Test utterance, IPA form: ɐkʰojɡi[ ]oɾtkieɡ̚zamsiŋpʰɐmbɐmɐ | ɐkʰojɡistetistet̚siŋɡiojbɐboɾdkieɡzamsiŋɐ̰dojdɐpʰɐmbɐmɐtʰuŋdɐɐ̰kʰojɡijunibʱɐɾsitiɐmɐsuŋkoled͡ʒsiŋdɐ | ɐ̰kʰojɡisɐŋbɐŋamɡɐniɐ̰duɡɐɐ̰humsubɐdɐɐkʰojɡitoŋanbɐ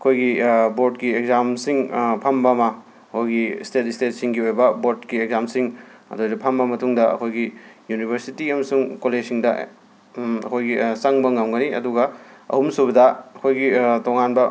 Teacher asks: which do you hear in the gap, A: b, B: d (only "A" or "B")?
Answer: A